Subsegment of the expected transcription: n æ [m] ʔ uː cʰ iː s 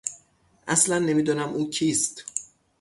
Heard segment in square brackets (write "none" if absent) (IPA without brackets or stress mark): m